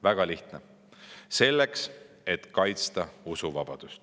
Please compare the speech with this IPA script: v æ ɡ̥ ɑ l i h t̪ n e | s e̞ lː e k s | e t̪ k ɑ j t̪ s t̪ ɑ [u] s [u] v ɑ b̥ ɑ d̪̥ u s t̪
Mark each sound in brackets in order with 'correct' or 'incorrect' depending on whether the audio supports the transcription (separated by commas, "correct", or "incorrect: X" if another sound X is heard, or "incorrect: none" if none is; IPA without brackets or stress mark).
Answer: correct, correct